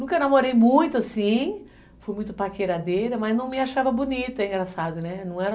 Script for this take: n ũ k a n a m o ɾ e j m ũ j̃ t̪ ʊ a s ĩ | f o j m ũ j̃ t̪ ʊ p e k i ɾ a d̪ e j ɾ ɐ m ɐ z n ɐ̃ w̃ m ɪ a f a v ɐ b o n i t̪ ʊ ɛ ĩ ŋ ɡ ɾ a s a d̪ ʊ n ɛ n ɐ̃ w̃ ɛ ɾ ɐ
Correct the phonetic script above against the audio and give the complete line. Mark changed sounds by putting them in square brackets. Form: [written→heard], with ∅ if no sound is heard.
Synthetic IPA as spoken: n ũ k [a→ɐ] n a m o ɾ e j m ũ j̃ t̪ ʊ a s ĩ | f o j m ũ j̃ t̪ ʊ p [e→a] k [i→e] ɾ a d̪ e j ɾ ɐ m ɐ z n ɐ̃ w̃ m ɪ a [f→ʃ] a v ɐ b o n i t̪ ʊ ɛ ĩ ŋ ɡ ɾ a s a d̪ ʊ n ɛ n ɐ̃ w̃ ɛ ɾ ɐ